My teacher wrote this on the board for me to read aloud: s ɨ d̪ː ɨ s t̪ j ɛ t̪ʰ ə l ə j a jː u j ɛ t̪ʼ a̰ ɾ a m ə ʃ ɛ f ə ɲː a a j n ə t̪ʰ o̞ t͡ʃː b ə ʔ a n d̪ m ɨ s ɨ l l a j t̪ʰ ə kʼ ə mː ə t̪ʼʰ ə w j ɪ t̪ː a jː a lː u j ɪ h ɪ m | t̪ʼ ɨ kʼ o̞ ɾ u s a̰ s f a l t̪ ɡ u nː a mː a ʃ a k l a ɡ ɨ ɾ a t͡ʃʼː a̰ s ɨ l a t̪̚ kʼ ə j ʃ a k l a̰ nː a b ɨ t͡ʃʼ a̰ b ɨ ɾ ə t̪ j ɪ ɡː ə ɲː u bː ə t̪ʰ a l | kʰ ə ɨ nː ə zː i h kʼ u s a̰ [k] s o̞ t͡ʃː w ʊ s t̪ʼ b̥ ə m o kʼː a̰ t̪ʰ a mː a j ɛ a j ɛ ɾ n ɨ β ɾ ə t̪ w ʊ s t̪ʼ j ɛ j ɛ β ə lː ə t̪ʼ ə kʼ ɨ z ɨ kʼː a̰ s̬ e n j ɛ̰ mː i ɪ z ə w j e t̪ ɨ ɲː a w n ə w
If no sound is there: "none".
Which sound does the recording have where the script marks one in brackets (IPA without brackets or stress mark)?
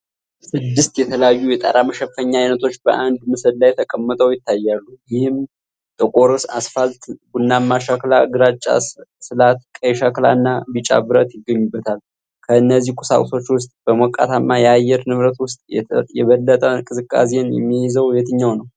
kʼ